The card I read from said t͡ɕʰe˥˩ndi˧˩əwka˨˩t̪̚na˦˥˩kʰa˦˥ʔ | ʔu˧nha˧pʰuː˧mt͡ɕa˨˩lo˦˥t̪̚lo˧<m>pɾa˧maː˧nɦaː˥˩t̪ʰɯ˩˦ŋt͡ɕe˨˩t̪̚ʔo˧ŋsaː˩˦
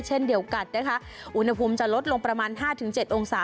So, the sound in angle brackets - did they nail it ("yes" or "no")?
no